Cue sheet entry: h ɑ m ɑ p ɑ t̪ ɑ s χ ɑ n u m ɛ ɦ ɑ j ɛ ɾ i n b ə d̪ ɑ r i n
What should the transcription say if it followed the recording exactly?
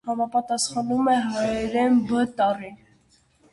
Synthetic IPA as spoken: h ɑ m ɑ p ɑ t̪ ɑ s χ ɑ n u m ɛ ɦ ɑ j ɛ ɾ ɛ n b ə t̪ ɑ r i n